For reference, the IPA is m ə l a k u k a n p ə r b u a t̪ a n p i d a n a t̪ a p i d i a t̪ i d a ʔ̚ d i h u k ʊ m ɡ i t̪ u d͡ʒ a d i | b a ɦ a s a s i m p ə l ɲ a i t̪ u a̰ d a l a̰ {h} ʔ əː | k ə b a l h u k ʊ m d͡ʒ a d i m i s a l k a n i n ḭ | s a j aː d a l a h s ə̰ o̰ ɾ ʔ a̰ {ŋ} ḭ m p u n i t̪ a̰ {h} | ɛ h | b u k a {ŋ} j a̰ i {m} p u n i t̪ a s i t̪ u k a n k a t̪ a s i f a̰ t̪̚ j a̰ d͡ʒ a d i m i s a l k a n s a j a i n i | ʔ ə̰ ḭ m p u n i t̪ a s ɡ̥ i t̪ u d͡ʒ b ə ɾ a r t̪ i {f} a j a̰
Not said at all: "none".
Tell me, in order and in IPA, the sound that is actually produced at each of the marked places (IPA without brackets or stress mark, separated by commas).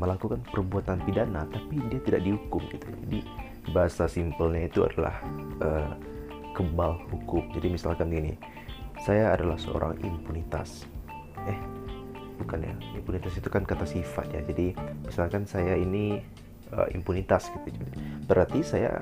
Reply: h, ŋ, s, n, m, s